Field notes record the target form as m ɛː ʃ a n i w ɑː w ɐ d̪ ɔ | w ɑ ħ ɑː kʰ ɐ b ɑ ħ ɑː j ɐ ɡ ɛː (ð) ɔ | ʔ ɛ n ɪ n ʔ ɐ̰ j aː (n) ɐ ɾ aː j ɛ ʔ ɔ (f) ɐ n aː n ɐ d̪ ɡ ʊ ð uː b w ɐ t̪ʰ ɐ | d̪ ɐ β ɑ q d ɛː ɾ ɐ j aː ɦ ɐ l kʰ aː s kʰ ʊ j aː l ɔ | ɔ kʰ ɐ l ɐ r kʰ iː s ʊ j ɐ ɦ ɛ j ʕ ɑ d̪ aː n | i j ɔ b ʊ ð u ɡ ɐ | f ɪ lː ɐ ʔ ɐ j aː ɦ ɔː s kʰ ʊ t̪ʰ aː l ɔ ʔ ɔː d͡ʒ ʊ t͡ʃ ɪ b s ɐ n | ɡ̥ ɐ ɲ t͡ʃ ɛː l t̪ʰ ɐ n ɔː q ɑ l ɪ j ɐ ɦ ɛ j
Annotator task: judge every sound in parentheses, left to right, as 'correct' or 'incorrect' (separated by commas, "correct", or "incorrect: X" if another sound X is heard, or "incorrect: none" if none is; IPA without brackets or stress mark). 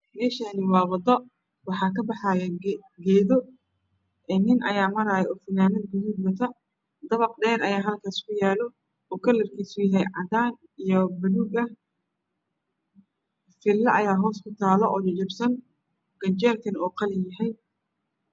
correct, incorrect: m, correct